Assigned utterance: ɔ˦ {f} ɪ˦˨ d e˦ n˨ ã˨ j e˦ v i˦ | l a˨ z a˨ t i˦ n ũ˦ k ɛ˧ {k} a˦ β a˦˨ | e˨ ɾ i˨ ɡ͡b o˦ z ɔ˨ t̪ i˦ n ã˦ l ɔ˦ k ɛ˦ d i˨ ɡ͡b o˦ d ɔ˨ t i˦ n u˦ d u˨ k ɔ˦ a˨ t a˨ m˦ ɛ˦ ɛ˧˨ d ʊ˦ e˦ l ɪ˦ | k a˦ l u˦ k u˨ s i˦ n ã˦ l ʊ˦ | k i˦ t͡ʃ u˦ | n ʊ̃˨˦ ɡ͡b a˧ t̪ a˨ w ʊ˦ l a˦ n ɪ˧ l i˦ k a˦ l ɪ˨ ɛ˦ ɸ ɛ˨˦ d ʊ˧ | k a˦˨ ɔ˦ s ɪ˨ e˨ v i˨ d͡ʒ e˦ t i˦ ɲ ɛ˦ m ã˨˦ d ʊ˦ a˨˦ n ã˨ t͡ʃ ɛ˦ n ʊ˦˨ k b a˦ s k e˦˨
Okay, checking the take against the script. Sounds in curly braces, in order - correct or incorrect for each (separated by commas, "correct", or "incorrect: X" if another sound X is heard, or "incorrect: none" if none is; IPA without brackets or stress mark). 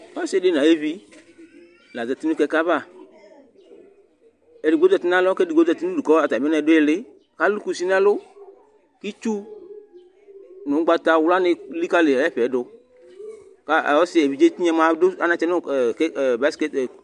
incorrect: s, correct